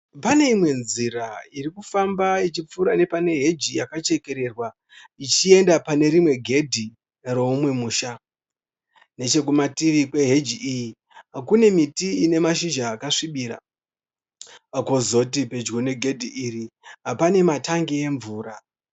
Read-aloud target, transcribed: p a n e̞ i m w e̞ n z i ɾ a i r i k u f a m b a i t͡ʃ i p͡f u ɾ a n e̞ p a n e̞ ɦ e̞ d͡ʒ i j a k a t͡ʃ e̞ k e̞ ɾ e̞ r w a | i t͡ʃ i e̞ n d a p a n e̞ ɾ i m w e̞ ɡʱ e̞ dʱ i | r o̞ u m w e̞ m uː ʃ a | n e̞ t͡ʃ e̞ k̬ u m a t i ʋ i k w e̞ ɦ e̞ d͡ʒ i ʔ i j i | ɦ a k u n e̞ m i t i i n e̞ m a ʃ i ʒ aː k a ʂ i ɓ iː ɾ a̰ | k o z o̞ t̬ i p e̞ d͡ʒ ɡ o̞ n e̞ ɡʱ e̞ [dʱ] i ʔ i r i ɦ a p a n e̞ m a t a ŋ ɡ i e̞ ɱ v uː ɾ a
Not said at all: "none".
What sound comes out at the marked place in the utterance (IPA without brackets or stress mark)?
dʱ